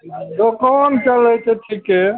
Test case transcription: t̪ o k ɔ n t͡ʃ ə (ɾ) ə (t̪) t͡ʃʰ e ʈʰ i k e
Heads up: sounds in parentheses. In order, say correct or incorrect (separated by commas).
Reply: incorrect, incorrect